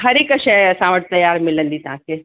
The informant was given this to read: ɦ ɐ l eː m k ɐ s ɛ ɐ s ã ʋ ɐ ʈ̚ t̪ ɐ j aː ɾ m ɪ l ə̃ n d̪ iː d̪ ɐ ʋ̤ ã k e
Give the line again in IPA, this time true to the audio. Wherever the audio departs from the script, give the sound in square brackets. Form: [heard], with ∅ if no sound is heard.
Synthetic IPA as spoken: ɦ ɐ [ɾ] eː [∅] k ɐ [ʃ] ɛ ɐ s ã ʋ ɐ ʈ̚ t̪ ɐ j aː ɾ m ɪ l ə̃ n d̪ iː [t̪] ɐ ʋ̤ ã k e